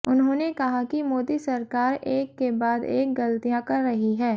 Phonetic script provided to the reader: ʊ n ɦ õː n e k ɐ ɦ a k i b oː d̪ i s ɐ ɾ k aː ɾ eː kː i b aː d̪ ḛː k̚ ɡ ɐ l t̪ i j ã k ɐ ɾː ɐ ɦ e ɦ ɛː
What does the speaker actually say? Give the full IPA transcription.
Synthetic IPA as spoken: ʊ n ɦ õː n e k ɐ ɦ a k i m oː d̪ i s ɐ ɾ k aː ɾ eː kː e b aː d̪ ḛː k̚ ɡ ɐ l t̪ i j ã k ɐ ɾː ɐ ɦ i ɦ ɛː

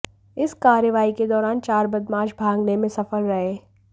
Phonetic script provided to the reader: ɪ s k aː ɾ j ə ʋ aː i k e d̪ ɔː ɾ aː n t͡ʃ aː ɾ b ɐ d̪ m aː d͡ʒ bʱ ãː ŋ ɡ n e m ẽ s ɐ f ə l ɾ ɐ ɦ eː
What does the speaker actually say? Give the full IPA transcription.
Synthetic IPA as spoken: ɪ s k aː ɾ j ə ʋ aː i k e d̪ ɔː ɾ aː n t͡ʃ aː ɾ b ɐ d̪ m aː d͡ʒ bʱ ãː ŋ ɡ n e m ẽ s ɐ f ə l ɾ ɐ ɦ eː

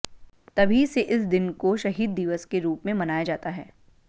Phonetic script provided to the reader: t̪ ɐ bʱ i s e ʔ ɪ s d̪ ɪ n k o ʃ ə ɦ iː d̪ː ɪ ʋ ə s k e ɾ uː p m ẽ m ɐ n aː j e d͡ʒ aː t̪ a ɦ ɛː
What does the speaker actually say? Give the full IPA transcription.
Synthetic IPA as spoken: t̪ ɐ bʱ i s e ʔ ɪ s d̪ ɪ n k o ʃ ɐ ɦ iː d̪ː ɪ ʋ ə s k e ɾ uː p m ẽ m ɐ n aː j a d͡ʒ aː t̪ a ɦ ɛː

